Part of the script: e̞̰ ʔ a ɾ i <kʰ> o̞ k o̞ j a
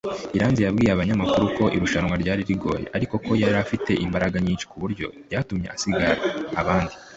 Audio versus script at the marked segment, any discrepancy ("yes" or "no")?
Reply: yes